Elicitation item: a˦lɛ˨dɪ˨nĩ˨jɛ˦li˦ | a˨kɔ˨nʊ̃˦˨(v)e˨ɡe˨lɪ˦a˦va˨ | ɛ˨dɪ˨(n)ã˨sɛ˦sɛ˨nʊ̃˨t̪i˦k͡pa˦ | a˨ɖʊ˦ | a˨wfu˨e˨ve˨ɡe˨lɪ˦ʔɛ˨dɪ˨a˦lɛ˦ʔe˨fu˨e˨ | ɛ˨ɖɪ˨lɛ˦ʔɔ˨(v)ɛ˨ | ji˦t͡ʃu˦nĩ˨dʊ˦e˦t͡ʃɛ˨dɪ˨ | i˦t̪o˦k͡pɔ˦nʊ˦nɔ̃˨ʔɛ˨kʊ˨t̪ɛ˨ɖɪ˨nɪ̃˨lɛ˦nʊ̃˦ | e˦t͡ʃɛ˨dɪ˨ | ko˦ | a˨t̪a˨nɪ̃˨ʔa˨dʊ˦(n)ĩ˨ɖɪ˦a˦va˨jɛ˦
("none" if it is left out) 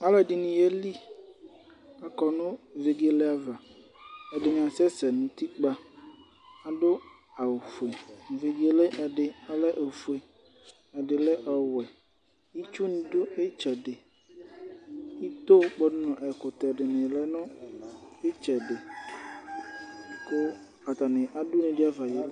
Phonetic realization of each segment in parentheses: v, ɲ, w, n

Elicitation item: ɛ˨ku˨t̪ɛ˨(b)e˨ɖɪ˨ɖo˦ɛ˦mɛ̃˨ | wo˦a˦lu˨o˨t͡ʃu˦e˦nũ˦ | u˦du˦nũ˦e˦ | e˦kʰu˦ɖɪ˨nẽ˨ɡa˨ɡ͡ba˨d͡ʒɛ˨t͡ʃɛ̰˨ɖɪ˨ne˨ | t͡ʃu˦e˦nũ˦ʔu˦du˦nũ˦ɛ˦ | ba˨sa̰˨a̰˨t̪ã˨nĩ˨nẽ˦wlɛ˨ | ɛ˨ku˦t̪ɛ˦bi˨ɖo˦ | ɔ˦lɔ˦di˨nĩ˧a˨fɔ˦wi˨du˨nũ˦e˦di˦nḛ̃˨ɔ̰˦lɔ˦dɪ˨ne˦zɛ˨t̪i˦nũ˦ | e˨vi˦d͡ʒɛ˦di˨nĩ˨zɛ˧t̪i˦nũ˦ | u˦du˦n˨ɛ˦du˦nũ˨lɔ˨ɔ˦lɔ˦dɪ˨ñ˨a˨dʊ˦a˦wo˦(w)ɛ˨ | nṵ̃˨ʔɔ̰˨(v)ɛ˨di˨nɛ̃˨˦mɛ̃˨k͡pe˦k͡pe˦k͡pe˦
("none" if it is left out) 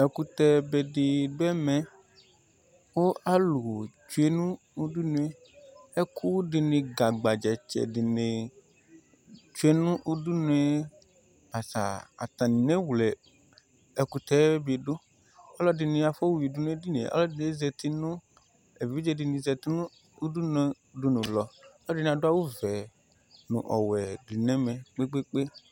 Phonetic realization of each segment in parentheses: b, v, w

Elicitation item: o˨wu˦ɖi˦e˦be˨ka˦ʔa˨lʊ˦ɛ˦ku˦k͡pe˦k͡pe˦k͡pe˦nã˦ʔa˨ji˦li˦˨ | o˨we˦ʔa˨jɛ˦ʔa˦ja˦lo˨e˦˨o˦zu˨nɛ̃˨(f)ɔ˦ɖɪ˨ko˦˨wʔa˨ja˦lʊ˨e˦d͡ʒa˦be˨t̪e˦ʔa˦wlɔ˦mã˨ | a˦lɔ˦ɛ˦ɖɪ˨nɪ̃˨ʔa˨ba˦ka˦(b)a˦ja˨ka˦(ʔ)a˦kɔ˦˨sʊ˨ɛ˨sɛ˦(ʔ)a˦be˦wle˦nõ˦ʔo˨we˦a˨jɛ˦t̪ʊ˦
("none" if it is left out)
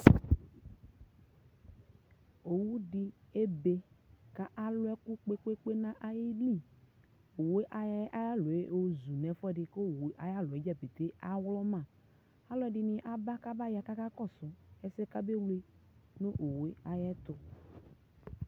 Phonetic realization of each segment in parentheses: f, b, k, k

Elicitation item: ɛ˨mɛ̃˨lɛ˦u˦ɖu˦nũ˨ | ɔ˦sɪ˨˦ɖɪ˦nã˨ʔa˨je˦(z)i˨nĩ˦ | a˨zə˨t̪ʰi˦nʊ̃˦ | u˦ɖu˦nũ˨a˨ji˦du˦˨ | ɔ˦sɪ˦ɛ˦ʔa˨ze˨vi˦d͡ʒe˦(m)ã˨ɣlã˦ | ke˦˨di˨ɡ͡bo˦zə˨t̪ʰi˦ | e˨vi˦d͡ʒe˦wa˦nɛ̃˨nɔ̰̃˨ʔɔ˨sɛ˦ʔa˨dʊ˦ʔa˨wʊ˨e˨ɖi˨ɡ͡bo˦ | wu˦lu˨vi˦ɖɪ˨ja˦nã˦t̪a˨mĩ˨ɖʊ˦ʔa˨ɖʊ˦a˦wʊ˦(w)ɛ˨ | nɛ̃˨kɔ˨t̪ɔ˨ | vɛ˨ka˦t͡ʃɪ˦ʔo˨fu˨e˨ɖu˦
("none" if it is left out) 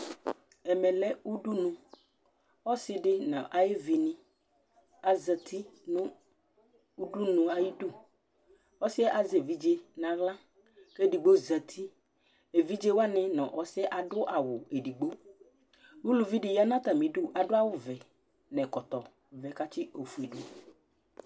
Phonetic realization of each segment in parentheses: v, n, v

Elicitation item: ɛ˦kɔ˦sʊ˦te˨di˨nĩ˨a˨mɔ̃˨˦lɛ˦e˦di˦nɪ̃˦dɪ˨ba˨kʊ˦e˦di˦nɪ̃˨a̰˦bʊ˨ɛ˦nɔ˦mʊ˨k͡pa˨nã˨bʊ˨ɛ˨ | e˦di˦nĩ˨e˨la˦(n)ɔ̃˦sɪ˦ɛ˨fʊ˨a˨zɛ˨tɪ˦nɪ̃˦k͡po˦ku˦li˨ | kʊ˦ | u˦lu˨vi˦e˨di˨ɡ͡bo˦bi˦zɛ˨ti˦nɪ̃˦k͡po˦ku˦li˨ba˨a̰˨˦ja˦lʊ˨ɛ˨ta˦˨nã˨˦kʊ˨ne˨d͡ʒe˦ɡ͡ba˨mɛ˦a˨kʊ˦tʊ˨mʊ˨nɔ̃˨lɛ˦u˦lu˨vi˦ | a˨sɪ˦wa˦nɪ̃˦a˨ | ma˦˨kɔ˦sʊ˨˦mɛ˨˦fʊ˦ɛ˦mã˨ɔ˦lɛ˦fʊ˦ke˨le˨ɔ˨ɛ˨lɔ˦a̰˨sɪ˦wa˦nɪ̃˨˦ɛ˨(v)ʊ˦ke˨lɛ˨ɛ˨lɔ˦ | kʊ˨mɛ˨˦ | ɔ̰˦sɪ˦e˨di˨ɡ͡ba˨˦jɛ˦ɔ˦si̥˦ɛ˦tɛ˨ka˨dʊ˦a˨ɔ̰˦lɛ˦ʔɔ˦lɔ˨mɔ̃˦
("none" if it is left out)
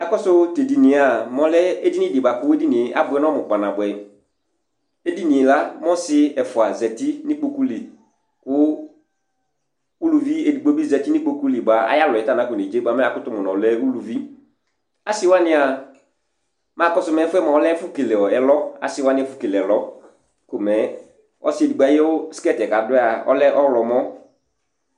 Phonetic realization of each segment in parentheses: m, f

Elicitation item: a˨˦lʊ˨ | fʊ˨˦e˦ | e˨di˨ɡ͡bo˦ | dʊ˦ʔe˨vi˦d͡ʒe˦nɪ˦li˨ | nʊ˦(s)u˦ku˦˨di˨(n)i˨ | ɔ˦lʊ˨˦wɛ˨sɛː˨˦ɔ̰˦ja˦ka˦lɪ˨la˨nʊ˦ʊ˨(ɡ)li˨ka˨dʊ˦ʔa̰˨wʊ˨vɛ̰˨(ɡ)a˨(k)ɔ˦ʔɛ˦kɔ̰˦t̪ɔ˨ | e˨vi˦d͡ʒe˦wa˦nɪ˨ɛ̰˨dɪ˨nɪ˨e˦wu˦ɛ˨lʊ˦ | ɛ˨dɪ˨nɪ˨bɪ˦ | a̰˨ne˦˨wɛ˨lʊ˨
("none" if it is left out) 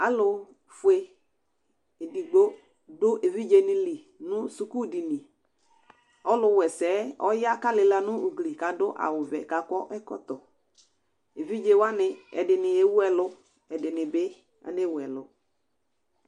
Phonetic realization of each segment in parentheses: s, n, ɡ, k, k

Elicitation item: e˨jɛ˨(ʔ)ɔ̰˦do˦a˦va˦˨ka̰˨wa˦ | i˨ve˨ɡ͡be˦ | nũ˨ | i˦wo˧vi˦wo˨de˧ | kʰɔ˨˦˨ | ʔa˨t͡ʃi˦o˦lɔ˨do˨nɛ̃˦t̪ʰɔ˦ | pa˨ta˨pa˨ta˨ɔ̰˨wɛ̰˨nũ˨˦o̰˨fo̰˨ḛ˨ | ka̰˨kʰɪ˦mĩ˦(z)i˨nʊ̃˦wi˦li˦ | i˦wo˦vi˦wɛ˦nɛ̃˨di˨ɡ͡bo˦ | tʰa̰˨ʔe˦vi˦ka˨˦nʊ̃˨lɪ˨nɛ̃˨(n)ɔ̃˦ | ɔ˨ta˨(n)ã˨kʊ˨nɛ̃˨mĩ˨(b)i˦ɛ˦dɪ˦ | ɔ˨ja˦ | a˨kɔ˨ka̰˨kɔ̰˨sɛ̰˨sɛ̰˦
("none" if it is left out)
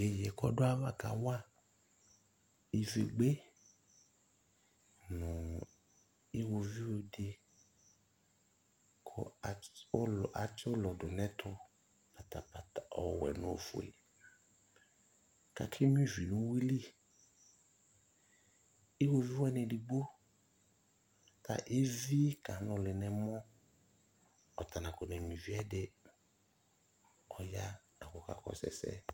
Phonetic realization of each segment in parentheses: k, v, m, n, v

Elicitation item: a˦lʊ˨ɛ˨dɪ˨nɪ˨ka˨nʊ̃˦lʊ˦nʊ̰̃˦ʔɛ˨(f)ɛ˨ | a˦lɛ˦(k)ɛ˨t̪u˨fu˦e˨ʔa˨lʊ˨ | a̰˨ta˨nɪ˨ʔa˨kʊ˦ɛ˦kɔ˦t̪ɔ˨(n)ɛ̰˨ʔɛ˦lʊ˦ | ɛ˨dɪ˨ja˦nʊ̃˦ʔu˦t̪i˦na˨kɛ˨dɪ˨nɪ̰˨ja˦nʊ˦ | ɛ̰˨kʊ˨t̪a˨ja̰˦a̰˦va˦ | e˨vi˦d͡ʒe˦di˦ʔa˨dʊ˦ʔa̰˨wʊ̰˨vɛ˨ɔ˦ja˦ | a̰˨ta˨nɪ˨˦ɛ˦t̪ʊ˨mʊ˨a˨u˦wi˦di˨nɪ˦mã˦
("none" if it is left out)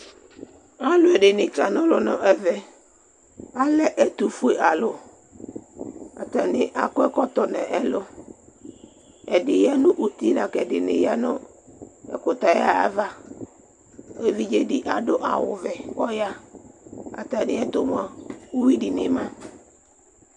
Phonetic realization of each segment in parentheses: v, ʔ, n

